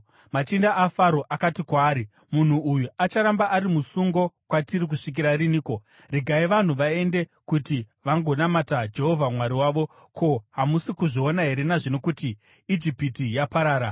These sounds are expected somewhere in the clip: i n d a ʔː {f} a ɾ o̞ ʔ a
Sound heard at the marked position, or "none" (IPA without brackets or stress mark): f